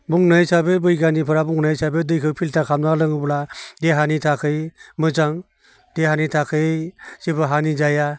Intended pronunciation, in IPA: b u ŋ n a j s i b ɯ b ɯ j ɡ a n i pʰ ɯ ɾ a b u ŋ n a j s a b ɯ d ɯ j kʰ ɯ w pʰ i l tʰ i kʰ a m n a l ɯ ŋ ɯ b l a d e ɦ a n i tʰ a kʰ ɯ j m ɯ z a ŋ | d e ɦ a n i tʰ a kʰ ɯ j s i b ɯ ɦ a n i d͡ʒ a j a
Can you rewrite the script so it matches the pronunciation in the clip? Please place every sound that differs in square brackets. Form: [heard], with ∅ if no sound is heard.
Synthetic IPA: b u ŋ n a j s [a] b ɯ b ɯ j ɡ a n i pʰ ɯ ɾ a b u ŋ n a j s a b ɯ d ɯ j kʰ ɯ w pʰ i l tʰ [a] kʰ a m n a l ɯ ŋ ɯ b l a d e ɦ a n i tʰ a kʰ ɯ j m ɯ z a ŋ | d e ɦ a n i tʰ a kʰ ɯ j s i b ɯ ɦ a n i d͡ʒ a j a